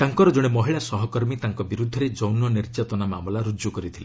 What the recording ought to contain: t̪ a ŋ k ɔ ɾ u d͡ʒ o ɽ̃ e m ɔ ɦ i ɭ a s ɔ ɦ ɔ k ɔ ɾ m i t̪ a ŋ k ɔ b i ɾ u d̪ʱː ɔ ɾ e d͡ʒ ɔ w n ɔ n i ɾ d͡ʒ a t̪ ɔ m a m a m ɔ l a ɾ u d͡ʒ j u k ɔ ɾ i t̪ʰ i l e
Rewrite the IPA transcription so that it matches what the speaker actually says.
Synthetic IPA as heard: t̪ a ŋ k ɔ ɾ ɔ d͡ʒ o ɽ̃ e m ɔ ɦ i ɭ a s ɔ ɦ ɔ k ɔ ɾ m i t̪ a ŋ k ɔ b i ɾ u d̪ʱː ɔ ɾ e d͡ʒ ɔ w n ɔ n i ɾ d͡ʒ a t̪ ɔ n a m a m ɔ l a ɾ u d͡ʒ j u k ɔ ɾ i t̪ʰ i l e